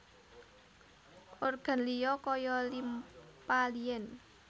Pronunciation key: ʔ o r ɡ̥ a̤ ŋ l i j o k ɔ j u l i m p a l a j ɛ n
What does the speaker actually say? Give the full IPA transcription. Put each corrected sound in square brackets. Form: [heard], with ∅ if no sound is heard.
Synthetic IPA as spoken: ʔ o r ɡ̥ a̤ [n] l i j [ɔ] k ɔ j [ɔ] l i m p a l [i] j ɛ n